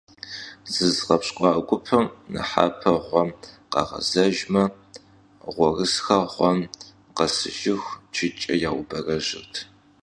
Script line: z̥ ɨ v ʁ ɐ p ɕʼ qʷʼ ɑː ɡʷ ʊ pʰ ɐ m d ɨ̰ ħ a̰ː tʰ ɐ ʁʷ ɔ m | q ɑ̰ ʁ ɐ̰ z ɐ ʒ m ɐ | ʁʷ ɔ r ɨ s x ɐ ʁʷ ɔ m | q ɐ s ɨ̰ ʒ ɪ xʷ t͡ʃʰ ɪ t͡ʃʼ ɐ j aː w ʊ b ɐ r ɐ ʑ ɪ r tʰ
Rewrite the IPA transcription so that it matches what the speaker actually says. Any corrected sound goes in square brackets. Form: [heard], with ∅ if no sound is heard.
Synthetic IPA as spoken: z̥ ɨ [z] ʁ ɐ p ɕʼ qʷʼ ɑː ɡʷ ʊ pʰ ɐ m [n] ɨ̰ ħ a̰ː [pʰ] ɐ ʁʷ ɔ m | q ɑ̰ ʁ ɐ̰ z ɐ ʒ m ɐ | ʁʷ ɔ r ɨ s x ɐ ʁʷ ɔ m | q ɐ s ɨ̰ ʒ ɪ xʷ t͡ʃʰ ɪ t͡ʃʼ ɐ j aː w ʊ b ɐ r ɐ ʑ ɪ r tʰ